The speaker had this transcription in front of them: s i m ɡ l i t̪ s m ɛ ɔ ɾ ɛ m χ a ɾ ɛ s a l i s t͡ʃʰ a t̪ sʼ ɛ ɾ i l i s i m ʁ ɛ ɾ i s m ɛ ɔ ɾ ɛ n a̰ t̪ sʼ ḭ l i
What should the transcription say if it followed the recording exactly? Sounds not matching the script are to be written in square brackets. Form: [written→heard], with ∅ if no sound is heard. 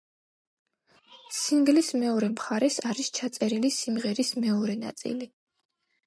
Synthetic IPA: s i [m→ŋ] ɡ l i [t̪→∅] s m ɛ ɔ ɾ ɛ m χ a ɾ ɛ s a [l→ɾ] i s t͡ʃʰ a t̪ sʼ ɛ ɾ i l i s i m ʁ ɛ ɾ i s m ɛ ɔ ɾ ɛ n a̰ t̪ sʼ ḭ l i